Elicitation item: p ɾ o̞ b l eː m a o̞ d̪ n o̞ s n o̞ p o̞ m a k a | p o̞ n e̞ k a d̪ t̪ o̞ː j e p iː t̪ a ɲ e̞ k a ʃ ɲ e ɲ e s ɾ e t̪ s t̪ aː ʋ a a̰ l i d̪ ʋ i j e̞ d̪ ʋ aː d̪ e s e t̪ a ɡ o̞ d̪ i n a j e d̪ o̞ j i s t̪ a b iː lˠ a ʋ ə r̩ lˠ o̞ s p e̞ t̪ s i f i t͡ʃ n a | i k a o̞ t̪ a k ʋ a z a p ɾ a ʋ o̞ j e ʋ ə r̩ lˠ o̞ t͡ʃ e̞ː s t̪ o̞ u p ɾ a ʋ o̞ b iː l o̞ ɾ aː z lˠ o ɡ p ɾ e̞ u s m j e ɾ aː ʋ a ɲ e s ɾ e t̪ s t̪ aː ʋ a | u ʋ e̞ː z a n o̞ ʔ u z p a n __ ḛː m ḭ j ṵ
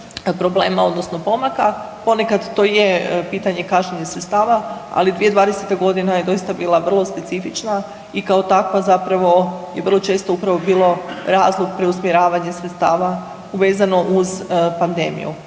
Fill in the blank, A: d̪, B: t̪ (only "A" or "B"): A